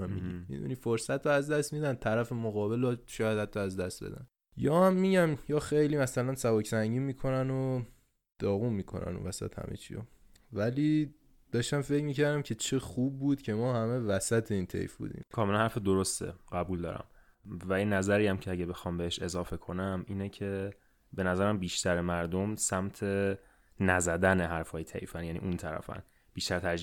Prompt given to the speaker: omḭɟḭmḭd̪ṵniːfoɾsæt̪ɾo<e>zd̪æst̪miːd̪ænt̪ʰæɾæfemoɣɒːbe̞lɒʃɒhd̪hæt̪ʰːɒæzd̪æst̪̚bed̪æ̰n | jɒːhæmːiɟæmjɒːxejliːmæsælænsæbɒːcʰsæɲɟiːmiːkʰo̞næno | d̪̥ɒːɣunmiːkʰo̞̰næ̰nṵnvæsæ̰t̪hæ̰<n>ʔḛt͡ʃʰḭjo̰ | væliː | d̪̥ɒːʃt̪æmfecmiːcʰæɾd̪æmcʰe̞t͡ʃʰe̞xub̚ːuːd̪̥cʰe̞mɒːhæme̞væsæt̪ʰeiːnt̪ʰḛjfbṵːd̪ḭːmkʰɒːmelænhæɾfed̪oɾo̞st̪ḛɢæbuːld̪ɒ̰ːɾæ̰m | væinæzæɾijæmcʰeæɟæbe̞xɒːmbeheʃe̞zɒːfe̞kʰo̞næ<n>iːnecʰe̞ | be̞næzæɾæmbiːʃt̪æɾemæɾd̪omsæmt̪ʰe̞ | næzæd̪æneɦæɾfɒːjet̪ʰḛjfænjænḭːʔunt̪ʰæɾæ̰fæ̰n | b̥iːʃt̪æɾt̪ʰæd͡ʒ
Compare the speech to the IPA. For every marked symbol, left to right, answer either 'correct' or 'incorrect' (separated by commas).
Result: incorrect, incorrect, incorrect